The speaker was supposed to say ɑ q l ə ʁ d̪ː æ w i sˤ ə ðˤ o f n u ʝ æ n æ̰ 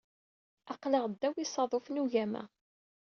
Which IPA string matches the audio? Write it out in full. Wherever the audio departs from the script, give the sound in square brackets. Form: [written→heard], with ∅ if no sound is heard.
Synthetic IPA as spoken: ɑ q l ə ʁ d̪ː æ w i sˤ [ə→ɑ] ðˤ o f n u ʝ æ [n→m] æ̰